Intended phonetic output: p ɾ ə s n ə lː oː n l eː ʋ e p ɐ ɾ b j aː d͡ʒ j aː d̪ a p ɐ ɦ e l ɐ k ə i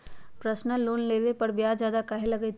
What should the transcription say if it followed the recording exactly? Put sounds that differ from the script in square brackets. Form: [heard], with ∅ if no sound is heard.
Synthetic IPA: p ɾ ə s n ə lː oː n l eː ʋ e p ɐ ɾ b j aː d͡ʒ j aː d̪ a [k] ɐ ɦ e l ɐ [ɡ] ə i